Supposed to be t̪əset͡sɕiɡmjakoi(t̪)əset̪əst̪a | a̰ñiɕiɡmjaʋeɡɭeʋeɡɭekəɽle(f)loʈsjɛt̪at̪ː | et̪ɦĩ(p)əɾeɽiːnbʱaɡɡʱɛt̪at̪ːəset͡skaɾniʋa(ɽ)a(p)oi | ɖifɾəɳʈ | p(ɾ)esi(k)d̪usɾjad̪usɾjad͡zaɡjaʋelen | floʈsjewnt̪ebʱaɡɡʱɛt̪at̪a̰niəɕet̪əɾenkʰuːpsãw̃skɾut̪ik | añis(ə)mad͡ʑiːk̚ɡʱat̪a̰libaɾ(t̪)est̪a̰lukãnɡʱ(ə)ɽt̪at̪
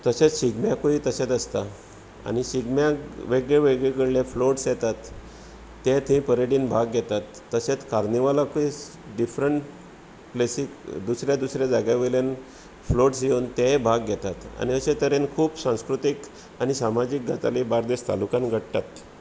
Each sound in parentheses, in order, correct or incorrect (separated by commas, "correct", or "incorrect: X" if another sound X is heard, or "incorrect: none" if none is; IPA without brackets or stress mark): correct, correct, correct, incorrect: l, incorrect: k, incorrect: l, correct, incorrect: a, incorrect: d̪, correct